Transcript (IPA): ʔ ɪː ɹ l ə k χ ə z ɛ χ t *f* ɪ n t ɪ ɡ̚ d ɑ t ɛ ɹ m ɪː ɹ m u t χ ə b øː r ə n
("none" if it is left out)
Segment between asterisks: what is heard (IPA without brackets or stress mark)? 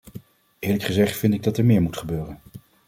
f